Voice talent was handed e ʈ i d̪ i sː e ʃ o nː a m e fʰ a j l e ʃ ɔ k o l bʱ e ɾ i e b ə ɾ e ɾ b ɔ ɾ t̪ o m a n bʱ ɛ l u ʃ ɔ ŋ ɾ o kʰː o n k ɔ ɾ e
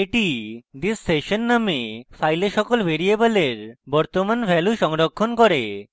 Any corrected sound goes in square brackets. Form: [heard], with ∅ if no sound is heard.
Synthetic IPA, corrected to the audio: e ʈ i d̪ i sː e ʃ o nː a m e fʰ a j l e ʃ ɔ k o l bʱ e ɾ i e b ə [l] e ɾ b ɔ ɾ t̪ o m a n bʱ ɛ l u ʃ ɔ ŋ ɾ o kʰː o n k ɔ ɾ e